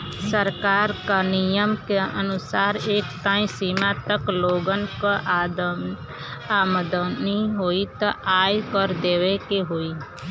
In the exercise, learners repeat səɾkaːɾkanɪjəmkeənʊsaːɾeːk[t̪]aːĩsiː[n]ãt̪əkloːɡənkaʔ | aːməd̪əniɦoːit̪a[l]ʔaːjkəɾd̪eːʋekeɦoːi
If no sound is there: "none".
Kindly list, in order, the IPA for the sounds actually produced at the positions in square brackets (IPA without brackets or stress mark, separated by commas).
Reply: t̪, m, none